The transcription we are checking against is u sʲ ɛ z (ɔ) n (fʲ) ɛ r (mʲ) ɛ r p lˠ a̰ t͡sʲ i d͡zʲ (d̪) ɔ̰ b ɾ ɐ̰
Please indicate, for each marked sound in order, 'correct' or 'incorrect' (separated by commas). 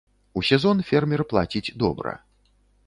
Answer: correct, correct, correct, correct